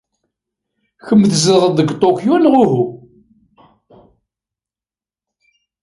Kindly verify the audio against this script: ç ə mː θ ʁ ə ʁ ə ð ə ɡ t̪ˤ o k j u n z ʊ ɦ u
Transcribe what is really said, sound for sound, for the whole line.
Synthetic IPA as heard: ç ə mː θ z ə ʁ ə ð ə ɡ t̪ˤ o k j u n ʁ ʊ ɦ u